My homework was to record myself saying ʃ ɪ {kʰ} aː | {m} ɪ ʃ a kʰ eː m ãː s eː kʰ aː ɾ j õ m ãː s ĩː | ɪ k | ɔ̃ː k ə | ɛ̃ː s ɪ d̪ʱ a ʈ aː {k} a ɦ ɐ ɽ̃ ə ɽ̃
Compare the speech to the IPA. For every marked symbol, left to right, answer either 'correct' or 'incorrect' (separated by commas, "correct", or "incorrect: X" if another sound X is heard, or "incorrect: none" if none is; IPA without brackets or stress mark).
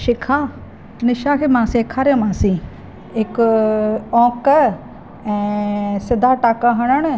correct, incorrect: n, correct